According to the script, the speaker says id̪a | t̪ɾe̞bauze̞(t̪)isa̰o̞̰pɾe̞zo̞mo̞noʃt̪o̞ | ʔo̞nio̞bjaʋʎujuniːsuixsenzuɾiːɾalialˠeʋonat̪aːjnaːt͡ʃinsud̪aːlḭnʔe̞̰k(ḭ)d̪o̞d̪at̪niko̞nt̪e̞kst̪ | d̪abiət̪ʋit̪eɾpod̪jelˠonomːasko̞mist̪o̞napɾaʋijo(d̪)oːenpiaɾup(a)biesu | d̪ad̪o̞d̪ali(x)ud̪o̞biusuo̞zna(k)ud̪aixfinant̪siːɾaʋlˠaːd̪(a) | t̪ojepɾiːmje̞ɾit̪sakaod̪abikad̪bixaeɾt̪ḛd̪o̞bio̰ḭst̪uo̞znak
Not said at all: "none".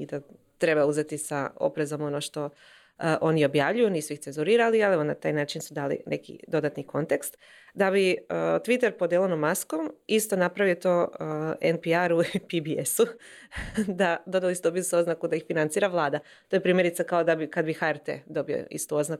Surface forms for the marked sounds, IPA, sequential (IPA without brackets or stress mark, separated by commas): t̪, ḭ, t̪, i, s, k, a